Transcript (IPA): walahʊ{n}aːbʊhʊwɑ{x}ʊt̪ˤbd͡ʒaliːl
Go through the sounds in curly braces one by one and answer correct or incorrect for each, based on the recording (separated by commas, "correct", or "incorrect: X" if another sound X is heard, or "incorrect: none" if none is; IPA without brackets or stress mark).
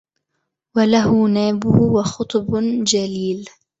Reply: correct, correct